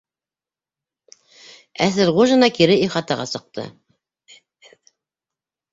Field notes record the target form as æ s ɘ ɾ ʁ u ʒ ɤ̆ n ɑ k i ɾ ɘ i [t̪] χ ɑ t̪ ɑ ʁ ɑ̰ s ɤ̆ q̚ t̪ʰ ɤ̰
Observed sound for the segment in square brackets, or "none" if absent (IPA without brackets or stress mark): none